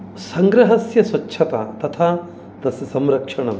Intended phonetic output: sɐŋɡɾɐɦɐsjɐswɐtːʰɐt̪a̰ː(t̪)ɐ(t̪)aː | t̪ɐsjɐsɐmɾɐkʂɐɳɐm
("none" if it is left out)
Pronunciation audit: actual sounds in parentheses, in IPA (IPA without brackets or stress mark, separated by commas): t̪, t̪ʰ